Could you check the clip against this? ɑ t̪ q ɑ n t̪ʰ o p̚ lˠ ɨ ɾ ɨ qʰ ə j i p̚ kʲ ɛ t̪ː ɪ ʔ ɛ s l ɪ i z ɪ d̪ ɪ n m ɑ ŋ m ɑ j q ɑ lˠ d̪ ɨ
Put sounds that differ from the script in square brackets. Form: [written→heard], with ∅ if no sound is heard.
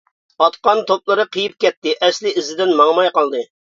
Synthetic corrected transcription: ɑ t̪ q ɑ n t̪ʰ o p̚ lˠ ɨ ɾ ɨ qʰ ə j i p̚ kʲ ɛ t̪ː ɪ ʔ ɛ s l ɪ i z ɪ d̪ ɪ n m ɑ ŋ m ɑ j q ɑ lˠ d̪ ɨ